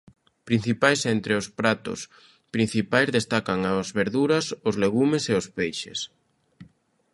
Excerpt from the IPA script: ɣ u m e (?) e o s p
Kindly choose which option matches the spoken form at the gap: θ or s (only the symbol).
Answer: s